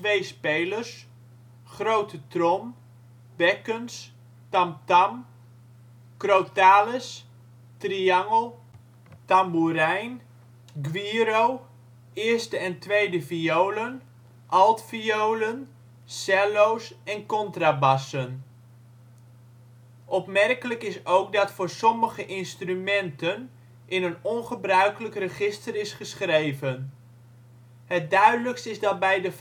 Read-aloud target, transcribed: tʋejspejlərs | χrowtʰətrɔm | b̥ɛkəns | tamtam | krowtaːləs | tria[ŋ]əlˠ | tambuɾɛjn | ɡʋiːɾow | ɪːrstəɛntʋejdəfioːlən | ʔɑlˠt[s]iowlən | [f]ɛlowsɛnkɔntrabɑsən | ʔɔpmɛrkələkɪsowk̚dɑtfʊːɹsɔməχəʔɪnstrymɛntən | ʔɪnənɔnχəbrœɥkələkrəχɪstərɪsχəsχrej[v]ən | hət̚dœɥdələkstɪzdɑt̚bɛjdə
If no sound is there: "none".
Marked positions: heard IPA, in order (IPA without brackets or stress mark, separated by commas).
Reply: ŋ, f, s, v